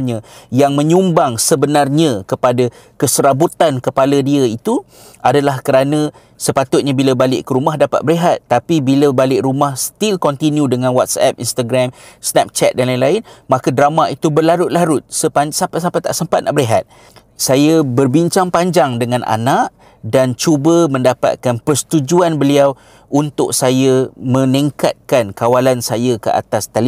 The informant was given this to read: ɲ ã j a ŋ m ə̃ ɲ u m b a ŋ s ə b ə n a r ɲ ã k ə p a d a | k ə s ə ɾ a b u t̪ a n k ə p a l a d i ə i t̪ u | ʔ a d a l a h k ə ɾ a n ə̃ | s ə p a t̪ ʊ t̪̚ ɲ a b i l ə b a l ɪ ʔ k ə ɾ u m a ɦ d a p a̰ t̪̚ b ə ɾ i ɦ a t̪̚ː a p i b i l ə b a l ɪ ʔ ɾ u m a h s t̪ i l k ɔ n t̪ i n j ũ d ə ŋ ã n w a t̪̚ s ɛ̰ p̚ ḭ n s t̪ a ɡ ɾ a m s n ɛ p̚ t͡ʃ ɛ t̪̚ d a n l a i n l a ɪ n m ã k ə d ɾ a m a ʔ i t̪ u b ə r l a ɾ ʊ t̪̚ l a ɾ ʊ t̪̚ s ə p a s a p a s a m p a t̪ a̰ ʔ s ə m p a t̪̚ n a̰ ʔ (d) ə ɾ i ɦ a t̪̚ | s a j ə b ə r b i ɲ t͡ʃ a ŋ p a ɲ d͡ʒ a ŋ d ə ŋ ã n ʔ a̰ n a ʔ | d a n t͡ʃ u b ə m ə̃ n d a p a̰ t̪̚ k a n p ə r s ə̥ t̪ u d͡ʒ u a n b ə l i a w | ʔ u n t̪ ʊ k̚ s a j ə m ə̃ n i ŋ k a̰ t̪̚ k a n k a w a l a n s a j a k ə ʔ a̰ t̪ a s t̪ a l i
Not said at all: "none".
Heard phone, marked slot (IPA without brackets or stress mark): b